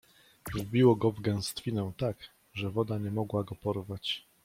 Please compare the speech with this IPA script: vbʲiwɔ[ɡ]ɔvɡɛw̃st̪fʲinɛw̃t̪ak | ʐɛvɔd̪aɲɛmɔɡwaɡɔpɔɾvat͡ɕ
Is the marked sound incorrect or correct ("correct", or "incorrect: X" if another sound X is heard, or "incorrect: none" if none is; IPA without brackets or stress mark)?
correct